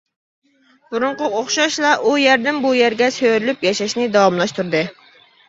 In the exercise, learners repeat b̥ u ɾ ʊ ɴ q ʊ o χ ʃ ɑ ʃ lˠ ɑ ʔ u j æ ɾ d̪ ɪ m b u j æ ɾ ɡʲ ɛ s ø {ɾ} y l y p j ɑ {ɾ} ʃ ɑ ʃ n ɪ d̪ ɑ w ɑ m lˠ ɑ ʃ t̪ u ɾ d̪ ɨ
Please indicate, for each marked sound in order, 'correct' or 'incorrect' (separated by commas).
correct, incorrect